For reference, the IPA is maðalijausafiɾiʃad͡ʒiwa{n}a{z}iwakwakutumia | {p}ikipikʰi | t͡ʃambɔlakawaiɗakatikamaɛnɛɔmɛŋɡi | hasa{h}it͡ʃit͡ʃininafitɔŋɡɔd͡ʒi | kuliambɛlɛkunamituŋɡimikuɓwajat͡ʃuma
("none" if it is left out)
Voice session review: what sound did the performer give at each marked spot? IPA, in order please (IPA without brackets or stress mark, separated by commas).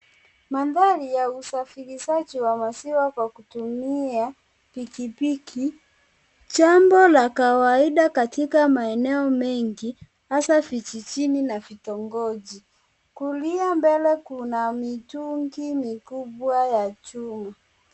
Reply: m, s, p, f